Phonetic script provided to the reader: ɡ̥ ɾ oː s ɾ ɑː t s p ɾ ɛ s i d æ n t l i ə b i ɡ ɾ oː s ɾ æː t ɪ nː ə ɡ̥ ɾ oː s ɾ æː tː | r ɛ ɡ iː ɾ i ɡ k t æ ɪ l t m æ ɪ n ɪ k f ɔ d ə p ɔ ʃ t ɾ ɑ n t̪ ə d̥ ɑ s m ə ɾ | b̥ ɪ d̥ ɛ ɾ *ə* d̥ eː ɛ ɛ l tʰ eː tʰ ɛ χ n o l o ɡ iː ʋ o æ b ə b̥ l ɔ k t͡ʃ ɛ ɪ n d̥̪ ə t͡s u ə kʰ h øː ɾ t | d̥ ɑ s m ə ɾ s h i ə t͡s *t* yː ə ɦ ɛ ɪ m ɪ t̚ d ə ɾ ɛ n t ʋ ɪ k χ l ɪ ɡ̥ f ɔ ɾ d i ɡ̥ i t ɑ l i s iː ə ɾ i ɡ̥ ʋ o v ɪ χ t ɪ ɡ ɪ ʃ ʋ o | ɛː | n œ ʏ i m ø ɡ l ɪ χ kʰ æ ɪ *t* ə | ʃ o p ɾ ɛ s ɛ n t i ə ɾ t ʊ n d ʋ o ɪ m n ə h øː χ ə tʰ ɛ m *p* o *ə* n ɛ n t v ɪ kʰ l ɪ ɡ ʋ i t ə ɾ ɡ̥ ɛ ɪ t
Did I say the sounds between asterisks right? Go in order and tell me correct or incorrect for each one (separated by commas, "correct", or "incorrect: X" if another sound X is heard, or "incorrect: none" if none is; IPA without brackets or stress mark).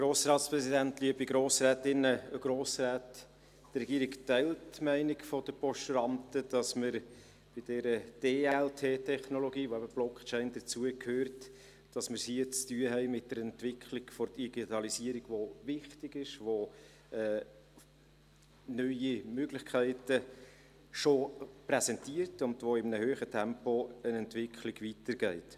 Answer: correct, correct, correct, correct, correct